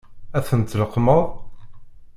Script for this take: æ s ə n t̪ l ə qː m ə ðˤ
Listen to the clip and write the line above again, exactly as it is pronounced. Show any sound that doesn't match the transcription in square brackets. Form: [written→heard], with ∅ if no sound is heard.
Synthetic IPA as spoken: æ [s→θ] ə n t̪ l ə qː m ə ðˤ